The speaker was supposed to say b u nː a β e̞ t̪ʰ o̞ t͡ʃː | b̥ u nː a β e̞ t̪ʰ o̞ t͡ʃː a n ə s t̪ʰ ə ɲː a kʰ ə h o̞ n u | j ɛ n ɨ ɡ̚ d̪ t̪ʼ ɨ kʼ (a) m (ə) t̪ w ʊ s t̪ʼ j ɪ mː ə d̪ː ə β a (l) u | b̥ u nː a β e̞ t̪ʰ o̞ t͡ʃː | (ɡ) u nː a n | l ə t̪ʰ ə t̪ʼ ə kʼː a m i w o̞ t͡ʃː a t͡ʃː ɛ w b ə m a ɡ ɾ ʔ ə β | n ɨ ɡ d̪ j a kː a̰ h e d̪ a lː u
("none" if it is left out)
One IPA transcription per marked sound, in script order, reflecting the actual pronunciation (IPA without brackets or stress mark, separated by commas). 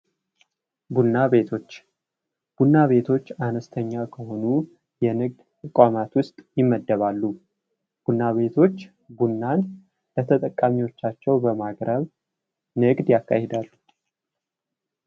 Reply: a, a, lː, b